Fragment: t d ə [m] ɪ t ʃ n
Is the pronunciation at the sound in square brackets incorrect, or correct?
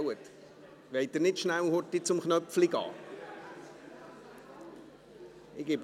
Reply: incorrect